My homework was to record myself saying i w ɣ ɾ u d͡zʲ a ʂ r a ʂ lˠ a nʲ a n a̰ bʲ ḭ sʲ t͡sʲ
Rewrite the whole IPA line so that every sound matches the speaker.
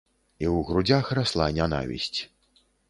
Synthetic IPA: i w ɣ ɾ u d͡zʲ a x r a s lˠ a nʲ a n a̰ vʲ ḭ sʲ t͡sʲ